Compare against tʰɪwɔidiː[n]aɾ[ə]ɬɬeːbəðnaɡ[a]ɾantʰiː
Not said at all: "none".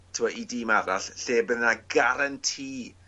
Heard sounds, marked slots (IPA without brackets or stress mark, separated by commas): m, a, a